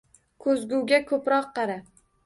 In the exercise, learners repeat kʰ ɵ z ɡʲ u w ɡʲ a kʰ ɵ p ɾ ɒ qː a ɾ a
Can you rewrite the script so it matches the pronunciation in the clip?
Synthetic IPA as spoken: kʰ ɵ z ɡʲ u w ɡʲ a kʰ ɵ p ɾ ɒ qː ɑ ɾ a